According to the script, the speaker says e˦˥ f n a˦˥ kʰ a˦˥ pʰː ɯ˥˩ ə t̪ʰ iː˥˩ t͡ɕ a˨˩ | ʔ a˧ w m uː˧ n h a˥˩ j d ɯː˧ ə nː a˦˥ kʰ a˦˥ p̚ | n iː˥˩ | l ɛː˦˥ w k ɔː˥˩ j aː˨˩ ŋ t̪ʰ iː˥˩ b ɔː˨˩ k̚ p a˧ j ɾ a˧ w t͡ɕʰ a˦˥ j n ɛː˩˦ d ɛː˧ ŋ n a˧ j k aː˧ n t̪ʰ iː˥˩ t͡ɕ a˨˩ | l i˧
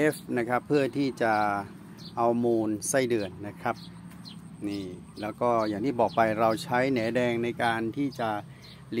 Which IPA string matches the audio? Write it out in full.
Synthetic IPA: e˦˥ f n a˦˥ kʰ a˦˥ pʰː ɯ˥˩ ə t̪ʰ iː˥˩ t͡ɕ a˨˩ | ʔ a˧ w m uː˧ n s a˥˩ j d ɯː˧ ə nː a˦˥ kʰ a˦˥ p̚ | n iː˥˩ | l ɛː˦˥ w k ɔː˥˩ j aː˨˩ ŋ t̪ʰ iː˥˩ b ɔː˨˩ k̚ p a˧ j ɾ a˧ w t͡ɕʰ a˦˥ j n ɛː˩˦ d ɛː˧ ŋ n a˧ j k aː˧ n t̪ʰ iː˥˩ t͡ɕ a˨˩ | l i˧

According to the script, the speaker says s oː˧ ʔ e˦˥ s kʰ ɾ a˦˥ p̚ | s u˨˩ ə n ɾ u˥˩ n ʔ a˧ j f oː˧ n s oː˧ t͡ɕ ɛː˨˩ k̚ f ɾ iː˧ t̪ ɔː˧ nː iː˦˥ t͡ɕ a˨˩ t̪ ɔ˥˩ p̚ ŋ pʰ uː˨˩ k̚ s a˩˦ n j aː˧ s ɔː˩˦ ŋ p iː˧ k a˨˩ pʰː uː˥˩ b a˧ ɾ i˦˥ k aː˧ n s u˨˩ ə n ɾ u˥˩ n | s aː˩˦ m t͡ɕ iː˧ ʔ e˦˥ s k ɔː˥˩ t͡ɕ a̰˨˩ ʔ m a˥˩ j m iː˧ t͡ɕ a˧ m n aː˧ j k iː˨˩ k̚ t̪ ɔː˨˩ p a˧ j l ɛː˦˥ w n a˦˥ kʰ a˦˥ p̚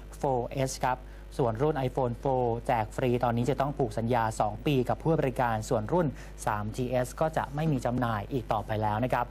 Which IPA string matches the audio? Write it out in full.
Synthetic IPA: f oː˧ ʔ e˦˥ s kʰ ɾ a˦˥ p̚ | s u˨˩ ə n ɾ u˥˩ n ʔ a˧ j f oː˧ n f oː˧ t͡ɕ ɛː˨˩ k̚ f ɾ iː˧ t̪ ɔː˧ nː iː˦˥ t͡ɕ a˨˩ t̪ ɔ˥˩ ŋ pʰ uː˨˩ k̚ s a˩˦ n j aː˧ s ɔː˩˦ ŋ p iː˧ k a˨˩ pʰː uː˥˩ b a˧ ɾ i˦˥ k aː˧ n s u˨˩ ə n ɾ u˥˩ n | s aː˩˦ m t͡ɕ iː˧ ʔ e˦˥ s k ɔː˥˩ t͡ɕ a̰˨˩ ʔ m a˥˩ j m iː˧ t͡ɕ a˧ m n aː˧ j ʔ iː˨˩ k̚ t̪ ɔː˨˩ p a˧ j l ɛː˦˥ w n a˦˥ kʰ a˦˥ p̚

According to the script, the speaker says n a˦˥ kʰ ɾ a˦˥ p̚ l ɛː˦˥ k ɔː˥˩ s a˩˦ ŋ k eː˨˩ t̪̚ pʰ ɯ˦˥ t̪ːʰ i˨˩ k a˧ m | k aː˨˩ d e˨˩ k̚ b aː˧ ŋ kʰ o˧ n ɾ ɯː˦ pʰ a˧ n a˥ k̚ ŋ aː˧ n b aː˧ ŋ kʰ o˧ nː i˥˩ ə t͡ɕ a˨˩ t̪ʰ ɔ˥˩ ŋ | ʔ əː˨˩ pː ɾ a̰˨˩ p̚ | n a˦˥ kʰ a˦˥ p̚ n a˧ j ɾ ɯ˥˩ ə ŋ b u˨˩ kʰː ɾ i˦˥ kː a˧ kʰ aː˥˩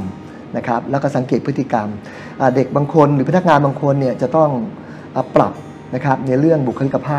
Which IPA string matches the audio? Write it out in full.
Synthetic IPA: n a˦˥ kʰ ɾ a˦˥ p̚ l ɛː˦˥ k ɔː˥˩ s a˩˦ ŋ k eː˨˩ t̪̚ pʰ ɯ˦˥ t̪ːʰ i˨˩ k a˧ m | ʔ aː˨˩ d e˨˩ k̚ b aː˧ ŋ kʰ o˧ n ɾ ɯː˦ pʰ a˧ n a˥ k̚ ŋ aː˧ n b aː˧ ŋ kʰ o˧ nː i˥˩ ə t͡ɕ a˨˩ t̪ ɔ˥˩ ŋ | ʔ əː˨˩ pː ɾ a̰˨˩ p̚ | n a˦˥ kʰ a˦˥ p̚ n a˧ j ɾ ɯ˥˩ ə ŋ b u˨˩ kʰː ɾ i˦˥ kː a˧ pʰ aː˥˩

